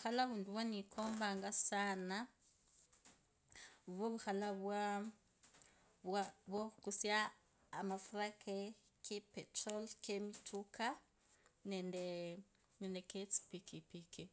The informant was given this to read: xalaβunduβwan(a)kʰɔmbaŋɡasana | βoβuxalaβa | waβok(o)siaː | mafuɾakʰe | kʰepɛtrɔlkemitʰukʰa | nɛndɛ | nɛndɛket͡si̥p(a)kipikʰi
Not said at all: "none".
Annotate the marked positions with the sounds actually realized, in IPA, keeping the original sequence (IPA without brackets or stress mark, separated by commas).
i, u, i